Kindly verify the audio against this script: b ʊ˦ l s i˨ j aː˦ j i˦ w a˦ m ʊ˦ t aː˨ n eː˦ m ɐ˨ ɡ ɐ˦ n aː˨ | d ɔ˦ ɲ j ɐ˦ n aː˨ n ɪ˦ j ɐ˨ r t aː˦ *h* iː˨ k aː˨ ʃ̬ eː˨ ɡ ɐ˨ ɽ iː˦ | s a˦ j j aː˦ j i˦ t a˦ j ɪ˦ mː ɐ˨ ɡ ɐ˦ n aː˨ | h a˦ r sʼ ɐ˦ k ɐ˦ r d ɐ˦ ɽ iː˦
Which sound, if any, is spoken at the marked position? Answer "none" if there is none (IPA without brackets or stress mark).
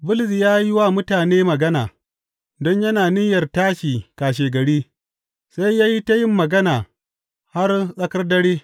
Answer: ʃ